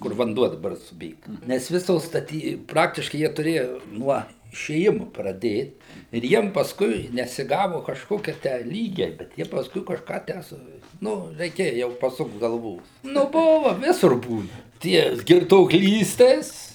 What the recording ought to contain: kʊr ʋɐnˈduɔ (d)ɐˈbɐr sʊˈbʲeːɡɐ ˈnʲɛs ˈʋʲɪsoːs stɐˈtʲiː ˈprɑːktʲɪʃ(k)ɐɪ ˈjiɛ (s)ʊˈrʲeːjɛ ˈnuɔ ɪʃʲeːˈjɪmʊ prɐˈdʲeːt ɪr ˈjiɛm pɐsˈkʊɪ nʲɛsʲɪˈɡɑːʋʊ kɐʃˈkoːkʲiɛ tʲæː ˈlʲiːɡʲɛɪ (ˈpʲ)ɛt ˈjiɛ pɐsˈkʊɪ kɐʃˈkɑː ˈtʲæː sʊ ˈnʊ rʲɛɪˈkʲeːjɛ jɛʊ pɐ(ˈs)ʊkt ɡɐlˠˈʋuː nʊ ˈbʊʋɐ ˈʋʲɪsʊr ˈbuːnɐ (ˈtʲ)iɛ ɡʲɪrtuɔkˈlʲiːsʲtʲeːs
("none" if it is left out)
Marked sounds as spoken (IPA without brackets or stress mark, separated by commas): d, k, t, bʲ, s, tʲ